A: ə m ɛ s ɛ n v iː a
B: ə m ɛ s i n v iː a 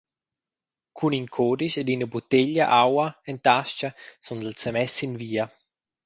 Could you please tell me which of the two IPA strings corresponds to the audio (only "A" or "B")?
B